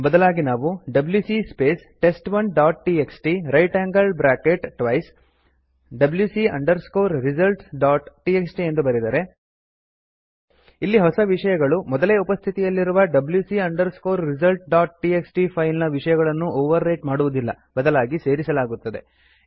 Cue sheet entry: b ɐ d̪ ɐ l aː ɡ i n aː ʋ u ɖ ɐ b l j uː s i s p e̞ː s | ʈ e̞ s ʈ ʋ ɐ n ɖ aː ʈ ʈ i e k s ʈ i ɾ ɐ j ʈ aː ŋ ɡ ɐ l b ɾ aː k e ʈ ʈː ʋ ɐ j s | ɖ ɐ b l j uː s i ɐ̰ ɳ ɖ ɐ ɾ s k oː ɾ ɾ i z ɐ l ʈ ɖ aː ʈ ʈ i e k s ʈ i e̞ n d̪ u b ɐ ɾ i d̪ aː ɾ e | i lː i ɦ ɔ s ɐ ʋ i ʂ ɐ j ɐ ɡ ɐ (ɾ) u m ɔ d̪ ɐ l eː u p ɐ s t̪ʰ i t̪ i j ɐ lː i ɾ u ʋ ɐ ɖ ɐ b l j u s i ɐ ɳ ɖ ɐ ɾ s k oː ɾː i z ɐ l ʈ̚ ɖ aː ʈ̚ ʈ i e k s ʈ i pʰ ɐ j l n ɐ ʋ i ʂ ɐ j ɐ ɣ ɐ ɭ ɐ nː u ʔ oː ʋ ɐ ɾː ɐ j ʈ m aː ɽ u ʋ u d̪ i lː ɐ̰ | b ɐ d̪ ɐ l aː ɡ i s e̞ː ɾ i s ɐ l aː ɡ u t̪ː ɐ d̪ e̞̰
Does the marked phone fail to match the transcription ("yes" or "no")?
yes